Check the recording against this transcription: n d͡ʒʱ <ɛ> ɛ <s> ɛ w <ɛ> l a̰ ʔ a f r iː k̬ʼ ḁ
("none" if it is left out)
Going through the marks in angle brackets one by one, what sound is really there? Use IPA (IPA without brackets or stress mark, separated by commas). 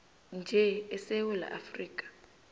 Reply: ɛ, s, ɛ